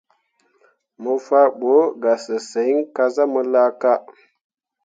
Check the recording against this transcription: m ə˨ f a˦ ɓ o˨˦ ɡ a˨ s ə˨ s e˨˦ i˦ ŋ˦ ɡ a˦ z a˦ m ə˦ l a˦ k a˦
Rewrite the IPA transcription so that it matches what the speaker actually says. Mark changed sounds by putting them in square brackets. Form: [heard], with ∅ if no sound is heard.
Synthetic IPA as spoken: m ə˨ f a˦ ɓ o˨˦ ɡ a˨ s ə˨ s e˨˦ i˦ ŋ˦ [k] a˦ z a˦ m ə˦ l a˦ k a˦